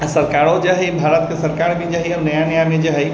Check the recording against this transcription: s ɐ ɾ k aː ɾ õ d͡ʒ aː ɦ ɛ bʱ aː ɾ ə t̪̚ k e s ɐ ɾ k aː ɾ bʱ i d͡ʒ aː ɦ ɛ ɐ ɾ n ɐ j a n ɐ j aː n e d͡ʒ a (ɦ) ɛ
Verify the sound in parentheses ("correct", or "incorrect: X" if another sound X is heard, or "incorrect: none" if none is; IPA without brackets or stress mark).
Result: correct